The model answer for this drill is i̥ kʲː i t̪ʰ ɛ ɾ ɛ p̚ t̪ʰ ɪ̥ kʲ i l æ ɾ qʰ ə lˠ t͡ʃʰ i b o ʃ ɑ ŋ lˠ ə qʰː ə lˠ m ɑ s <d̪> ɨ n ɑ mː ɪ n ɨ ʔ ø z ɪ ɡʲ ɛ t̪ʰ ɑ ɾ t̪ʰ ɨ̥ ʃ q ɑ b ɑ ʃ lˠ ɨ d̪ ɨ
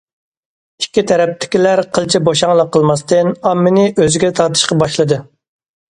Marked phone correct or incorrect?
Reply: incorrect